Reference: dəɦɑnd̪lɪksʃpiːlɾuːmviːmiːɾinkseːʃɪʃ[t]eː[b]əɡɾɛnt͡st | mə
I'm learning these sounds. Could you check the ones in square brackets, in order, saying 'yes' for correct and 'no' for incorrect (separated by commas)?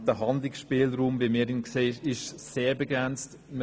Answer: no, yes